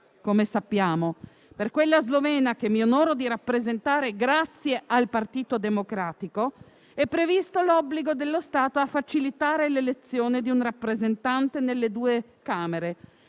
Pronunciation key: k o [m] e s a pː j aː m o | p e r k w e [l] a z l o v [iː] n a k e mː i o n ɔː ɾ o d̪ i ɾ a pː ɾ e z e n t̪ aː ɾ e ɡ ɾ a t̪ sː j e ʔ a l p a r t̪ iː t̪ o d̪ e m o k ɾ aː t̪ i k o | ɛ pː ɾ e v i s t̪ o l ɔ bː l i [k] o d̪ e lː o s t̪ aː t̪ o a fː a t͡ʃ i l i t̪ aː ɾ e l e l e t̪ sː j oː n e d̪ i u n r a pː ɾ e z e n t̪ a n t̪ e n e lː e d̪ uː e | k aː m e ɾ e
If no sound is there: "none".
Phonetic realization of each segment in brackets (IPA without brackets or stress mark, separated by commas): m, lː, ɛː, ɡ